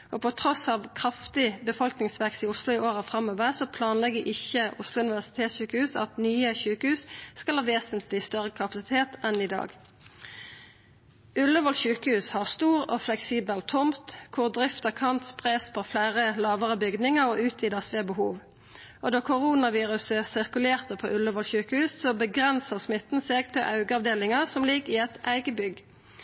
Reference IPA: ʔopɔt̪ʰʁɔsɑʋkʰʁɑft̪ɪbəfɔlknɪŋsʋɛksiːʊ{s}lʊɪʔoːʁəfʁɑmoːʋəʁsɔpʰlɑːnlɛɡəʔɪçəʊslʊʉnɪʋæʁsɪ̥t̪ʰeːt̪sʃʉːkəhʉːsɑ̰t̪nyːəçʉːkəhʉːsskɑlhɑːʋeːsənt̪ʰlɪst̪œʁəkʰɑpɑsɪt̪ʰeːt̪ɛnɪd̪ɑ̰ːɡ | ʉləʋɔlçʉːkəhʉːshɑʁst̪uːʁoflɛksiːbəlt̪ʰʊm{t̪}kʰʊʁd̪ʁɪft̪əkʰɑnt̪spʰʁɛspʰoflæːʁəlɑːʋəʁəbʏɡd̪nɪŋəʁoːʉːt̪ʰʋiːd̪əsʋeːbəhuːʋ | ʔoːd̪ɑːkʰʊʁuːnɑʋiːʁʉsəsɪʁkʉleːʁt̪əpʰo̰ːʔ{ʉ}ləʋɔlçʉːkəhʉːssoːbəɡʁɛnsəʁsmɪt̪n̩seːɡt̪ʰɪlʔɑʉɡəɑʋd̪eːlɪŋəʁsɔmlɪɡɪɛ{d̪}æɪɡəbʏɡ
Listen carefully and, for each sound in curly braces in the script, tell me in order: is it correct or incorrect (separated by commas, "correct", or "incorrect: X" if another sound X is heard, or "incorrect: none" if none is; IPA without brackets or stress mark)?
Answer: correct, correct, correct, incorrect: t̪